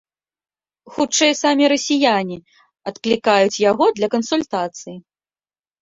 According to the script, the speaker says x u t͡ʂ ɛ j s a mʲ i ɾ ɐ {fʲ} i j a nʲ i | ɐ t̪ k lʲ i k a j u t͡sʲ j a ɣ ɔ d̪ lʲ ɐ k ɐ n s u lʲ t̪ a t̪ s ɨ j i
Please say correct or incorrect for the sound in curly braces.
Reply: incorrect